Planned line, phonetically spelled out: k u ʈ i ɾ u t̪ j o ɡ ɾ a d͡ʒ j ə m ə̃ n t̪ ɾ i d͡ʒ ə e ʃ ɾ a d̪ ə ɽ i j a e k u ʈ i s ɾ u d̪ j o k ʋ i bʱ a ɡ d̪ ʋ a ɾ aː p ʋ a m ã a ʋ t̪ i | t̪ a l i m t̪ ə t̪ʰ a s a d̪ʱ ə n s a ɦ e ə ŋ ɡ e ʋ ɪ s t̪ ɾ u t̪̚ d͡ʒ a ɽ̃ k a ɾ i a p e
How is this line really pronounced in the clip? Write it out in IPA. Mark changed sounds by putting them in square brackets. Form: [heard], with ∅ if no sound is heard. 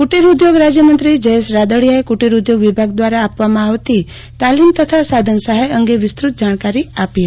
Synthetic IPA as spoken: k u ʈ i ɾ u [d̪] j o ɡ ɾ a d͡ʒ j ə m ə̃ n t̪ ɾ i d͡ʒ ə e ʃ ɾ a d̪ ə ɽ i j a e k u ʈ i [∅] ɾ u d̪ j o [ɡ] ʋ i bʱ a ɡ d̪ ʋ a ɾ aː p ʋ a m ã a ʋ t̪ i | t̪ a l i m t̪ ə t̪ʰ a s a d̪ʱ ə n s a ɦ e ə ŋ ɡ e ʋ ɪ s t̪ ɾ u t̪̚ d͡ʒ a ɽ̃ k a ɾ i a p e